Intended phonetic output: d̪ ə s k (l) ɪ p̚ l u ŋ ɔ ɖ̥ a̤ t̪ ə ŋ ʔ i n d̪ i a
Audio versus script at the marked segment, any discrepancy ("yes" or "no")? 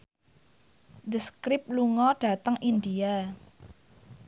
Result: yes